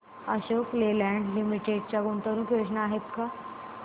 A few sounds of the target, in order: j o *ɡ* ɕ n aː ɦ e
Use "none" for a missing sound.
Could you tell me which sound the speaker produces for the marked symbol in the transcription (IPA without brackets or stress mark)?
none